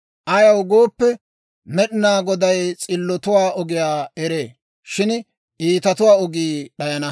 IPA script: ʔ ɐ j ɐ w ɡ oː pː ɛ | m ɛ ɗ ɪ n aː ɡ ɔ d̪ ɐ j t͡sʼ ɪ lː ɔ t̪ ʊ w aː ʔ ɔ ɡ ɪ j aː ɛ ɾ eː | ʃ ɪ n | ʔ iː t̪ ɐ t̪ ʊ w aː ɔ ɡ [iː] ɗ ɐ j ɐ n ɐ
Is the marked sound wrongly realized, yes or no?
no